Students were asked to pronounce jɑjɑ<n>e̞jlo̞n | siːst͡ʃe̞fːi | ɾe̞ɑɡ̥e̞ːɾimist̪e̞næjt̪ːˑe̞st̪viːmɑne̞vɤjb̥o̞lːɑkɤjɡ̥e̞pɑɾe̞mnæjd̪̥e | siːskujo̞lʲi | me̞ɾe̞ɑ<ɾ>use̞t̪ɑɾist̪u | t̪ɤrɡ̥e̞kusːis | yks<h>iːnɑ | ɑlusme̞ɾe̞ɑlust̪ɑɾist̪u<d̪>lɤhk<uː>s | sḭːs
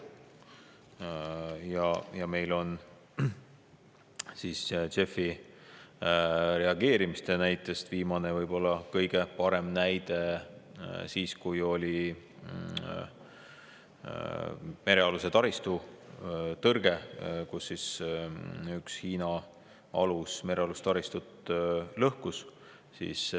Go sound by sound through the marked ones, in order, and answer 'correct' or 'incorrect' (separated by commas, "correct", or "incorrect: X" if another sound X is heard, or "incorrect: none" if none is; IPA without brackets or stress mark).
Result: incorrect: m, incorrect: l, correct, incorrect: t̪, incorrect: u